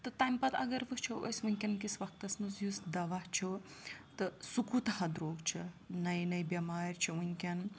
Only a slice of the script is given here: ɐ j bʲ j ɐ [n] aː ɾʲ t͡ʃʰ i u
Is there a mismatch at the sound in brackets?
yes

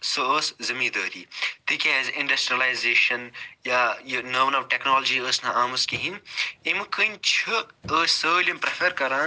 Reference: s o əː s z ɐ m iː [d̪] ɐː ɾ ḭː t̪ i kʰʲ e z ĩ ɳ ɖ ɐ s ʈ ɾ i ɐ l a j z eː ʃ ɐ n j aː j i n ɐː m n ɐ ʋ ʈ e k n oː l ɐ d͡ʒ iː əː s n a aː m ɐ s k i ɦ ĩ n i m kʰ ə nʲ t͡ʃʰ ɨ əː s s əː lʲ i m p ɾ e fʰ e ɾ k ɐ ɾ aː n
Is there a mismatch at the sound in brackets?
no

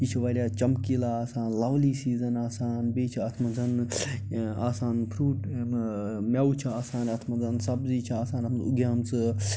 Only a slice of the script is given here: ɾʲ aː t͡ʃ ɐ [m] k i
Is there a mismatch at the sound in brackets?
no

